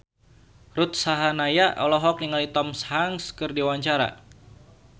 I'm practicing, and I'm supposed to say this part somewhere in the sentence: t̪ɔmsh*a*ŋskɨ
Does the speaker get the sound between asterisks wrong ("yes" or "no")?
no